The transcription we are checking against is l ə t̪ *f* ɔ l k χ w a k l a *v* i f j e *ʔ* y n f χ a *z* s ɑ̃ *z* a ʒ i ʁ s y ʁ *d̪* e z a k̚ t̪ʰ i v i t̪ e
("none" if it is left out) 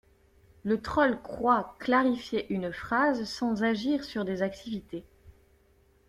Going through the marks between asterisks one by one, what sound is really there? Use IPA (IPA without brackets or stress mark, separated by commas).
χ, ʁ, ʔ, z, z, d̪